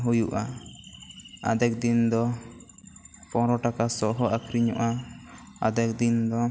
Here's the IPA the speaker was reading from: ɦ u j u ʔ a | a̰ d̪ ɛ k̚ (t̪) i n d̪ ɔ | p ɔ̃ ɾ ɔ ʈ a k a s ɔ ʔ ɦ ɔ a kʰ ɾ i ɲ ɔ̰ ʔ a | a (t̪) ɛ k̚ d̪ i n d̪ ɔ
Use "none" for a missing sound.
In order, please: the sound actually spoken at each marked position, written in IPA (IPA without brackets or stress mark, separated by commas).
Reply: d̪, d̪